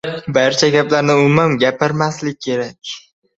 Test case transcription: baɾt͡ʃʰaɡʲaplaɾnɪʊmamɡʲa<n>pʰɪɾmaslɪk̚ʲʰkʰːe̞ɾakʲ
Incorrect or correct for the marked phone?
incorrect: none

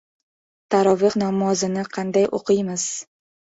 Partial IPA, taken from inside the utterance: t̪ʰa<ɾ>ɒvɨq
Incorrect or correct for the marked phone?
correct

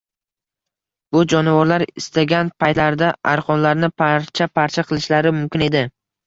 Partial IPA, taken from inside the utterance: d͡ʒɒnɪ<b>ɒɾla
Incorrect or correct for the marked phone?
incorrect: v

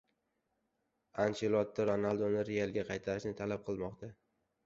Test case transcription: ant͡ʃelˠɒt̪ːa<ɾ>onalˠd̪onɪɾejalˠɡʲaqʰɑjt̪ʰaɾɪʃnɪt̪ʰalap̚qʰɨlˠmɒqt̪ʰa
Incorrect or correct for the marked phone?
correct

